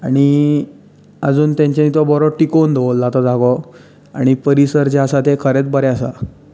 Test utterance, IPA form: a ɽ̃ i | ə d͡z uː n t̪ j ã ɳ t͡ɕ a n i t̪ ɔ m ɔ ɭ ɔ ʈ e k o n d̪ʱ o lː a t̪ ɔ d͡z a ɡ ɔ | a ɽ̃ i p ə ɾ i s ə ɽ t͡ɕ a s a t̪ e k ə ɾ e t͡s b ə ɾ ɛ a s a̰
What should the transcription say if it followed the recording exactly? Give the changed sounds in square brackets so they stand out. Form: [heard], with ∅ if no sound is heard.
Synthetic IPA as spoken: a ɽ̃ i | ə d͡z uː n t̪ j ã [ɲ] t͡ɕ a n i t̪ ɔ [b] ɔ [ɾ] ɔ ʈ [i] k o n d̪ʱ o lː a t̪ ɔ d͡z a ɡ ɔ | a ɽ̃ i p ə ɾ i s ə [ɾ] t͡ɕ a s a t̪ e [kʰ] ə ɾ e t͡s b ə ɾ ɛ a s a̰